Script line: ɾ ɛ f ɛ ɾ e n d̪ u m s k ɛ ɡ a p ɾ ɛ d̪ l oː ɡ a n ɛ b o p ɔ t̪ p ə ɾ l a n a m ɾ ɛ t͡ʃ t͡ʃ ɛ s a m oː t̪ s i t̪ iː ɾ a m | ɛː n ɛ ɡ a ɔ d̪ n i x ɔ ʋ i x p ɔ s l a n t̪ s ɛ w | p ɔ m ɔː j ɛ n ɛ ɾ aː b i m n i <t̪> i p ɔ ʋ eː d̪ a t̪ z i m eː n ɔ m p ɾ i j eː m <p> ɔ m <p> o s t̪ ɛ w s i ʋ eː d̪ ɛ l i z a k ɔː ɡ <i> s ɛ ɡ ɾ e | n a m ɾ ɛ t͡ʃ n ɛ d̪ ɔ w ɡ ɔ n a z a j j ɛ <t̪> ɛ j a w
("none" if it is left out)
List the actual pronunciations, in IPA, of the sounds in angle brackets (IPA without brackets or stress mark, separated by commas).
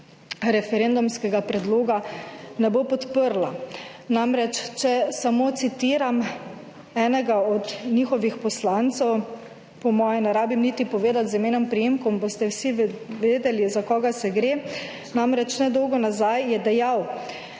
t̪, k, b, a, d̪